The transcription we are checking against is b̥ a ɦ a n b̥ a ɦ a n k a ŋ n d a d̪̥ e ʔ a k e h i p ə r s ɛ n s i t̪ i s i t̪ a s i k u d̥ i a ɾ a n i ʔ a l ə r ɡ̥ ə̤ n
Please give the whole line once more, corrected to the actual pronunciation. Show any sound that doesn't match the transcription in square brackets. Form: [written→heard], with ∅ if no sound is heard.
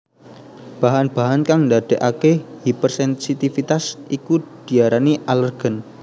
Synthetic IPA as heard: b̥ a ɦ a n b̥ a ɦ a n k a ŋ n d a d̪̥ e ʔ a k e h i p ə r s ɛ n s i t̪ i [s→f] i t̪ a s i k u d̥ i a ɾ a n i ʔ a l ə r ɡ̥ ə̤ n